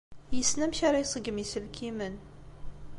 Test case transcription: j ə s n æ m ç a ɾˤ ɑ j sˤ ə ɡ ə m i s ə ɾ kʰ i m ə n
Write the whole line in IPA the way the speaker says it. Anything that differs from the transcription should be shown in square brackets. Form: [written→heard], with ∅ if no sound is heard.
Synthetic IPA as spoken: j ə s n æ m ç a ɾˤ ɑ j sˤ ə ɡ ə m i s ə [ɾ→l] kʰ i m ə n